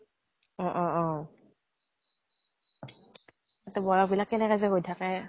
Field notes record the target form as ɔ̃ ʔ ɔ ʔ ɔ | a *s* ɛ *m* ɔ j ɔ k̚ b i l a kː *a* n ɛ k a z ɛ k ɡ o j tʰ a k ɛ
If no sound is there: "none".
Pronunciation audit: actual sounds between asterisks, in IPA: t, b, ɛ

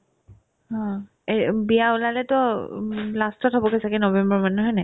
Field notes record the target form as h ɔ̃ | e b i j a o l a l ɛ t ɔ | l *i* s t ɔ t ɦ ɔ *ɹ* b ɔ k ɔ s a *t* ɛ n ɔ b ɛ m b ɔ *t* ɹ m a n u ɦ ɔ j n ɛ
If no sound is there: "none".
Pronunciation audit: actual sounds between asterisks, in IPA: a, none, k, none

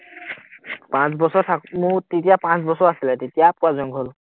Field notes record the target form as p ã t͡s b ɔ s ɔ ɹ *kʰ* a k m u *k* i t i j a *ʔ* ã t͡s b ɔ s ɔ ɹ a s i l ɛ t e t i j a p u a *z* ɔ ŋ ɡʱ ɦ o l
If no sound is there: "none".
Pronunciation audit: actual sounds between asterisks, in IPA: tʰ, t, p, z

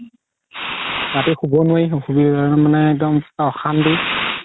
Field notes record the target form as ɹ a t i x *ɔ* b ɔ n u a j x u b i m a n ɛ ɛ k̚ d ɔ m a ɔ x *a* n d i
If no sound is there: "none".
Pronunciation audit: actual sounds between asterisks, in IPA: u, a

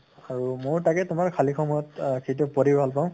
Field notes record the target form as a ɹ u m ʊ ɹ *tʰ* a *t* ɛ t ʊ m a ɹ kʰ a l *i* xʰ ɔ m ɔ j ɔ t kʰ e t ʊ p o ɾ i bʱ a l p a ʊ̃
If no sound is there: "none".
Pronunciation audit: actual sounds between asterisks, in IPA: t, k, i

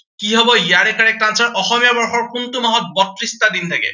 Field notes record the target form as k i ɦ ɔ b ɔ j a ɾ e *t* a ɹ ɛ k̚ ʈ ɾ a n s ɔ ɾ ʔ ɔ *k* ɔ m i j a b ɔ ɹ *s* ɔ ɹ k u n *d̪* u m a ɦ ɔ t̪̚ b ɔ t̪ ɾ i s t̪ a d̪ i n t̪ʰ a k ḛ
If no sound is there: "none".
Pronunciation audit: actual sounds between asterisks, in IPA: k, x, x, t̪

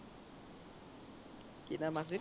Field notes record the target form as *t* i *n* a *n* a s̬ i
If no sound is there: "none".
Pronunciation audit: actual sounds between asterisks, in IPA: k, n, m

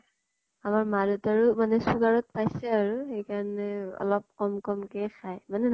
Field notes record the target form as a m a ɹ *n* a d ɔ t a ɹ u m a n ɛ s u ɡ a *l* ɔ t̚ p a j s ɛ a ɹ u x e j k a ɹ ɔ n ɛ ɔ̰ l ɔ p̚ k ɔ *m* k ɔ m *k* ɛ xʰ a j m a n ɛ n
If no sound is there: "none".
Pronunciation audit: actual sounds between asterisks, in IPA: m, ɹ, m, k

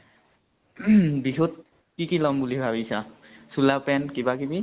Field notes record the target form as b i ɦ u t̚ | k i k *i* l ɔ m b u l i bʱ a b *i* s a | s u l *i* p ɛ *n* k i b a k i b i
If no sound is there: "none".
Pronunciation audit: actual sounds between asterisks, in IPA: i, i, a, n

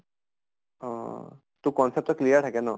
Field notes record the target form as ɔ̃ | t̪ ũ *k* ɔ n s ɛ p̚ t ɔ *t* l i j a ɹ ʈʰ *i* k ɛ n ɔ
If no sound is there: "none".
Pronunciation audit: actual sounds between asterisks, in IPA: k, k, a

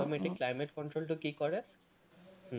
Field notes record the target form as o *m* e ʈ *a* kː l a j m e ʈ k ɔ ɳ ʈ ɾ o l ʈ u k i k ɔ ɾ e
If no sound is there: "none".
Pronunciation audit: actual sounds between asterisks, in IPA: m, i

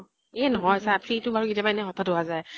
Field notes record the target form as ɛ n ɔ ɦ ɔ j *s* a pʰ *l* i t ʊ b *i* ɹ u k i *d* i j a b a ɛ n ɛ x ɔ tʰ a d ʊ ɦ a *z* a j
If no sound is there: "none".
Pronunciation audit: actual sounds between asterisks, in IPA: s, ɹ, a, t, z

